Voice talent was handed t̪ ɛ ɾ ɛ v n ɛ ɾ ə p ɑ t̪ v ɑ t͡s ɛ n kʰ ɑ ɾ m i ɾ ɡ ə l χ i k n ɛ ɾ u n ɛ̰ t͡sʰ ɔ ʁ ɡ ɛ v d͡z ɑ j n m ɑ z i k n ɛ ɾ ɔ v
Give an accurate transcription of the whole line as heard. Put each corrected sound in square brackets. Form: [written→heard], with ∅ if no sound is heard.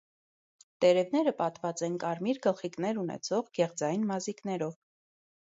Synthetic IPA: t̪ ɛ ɾ ɛ v n ɛ ɾ ə p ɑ t̪ v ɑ t͡s ɛ n [kʰ→k] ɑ ɾ m i ɾ ɡ ə l χ i k n ɛ ɾ u n ɛ̰ t͡sʰ ɔ ʁ ɡ ɛ [v→ʁ] d͡z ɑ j n m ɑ z i k n ɛ ɾ ɔ v